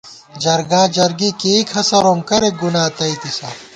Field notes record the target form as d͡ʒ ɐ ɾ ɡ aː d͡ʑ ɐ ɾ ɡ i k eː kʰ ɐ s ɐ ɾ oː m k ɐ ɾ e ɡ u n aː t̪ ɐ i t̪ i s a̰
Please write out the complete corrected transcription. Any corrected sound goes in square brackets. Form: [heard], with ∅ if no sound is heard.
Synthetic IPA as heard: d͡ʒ ɐ ɾ ɡ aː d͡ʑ ɐ ɾ ɡ i k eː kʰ ɐ s ɐ ɾ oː m k ɐ ɾ e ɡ u n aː t̪ ɐ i t̪ i s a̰